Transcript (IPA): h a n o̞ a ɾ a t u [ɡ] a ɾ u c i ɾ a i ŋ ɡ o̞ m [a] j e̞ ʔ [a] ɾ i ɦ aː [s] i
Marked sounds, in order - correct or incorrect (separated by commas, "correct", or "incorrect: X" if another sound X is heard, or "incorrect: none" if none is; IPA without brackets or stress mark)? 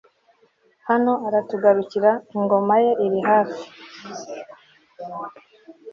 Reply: correct, correct, incorrect: i, incorrect: f